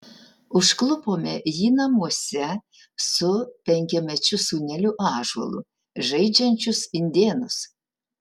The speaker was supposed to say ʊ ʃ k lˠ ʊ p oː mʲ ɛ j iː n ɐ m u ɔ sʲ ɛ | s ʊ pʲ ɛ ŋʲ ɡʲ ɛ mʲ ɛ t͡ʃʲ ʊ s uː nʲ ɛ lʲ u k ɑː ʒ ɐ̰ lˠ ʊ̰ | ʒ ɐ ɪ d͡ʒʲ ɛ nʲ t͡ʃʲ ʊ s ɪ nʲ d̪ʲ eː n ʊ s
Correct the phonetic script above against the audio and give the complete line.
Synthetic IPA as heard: ʊ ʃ k lˠ ʊ p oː mʲ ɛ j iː n ɐ m u ɔ sʲ ɛ | s ʊ pʲ ɛ ŋʲ kʲ ɛ mʲ ɛ t͡ʃʲ ʊ s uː nʲ ɛ lʲ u ʔ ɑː ʒ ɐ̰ lˠ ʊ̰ | ʒ ɐ ɪ d͡ʒʲ ɛ nʲ t͡ʃʲ ʊ s ɪ nʲ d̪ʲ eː n ʊ s